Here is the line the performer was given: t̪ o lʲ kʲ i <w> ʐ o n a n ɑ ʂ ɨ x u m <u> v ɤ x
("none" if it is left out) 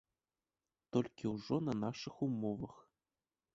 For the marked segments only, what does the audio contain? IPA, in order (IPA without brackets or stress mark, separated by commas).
u, o